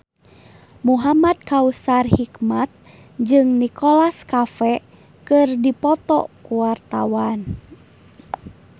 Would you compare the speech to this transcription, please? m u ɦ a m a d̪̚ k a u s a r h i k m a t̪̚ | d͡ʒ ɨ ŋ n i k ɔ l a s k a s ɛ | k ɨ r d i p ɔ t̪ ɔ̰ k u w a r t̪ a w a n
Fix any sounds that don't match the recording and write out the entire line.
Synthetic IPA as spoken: m u ɦ a m a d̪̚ k a u s a r h i k m a t̪̚ | d͡ʒ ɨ ŋ n i k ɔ l a s k a f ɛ | k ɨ r d i p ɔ t̪ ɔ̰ k u w a r t̪ a w a n